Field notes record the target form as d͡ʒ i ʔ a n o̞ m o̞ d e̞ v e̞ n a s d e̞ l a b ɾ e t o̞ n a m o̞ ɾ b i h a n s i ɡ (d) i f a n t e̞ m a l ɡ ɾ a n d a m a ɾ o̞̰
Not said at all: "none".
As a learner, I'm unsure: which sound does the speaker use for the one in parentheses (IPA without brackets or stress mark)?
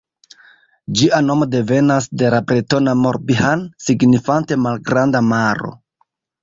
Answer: n